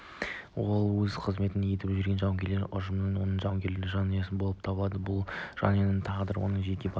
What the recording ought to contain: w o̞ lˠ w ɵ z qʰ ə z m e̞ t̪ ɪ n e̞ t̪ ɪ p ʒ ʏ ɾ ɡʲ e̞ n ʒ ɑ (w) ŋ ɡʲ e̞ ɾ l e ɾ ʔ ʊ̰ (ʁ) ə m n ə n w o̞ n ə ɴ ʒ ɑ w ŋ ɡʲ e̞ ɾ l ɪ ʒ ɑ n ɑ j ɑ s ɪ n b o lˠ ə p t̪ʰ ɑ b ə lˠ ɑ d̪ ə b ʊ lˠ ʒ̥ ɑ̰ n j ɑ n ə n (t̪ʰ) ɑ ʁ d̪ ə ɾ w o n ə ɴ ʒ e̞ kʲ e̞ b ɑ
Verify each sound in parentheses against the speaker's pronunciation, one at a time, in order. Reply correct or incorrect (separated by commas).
correct, incorrect, correct